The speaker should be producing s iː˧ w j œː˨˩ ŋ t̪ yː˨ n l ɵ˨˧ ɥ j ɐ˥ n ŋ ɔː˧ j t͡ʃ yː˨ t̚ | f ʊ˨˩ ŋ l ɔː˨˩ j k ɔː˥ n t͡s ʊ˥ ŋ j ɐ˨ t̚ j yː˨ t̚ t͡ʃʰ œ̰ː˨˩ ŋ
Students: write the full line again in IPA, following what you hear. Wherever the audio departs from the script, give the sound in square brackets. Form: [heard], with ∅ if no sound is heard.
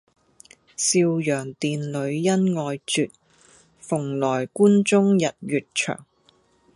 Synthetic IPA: s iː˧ w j œː˨˩ ŋ t̪ [iː˨] n l ɵ˨˧ ɥ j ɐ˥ n ŋ ɔː˧ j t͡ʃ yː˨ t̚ | f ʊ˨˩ ŋ l ɔː˨˩ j k [uː˥] n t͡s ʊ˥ ŋ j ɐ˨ t̚ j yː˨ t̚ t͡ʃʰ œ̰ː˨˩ ŋ